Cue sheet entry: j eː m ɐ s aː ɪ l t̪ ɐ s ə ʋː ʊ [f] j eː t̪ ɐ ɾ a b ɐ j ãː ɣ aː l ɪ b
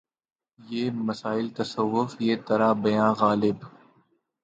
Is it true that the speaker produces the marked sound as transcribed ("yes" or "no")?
yes